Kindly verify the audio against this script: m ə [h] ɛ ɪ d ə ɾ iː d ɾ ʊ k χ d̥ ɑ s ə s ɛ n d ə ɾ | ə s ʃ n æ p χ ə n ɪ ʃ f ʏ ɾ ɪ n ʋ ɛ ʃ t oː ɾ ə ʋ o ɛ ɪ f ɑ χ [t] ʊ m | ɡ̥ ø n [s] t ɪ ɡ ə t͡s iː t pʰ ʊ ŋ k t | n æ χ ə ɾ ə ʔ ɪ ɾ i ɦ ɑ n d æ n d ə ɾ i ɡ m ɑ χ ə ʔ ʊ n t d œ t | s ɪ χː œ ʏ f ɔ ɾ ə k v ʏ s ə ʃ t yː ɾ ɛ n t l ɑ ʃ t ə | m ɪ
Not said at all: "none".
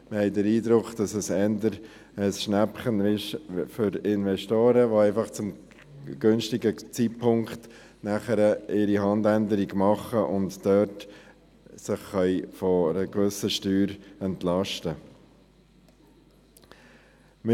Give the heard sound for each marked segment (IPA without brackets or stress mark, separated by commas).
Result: h, t͡s, ʃ